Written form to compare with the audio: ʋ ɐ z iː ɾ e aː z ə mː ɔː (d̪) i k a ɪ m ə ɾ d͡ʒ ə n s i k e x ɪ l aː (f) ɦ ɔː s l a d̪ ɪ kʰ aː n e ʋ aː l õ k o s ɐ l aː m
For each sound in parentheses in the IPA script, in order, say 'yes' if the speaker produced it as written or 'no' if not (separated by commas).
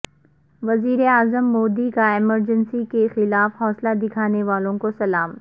yes, yes